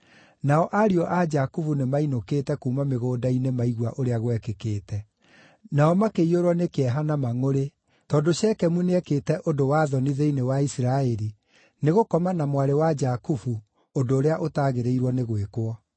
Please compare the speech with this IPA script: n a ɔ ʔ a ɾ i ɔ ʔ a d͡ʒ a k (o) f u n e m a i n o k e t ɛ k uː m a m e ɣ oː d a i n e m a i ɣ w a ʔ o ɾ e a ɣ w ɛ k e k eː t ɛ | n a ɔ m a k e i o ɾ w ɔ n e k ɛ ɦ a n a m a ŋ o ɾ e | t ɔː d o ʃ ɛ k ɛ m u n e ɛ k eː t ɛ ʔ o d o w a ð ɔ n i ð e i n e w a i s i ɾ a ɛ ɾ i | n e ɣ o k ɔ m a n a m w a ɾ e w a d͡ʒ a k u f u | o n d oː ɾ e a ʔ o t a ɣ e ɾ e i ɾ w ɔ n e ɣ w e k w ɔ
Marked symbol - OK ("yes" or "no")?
no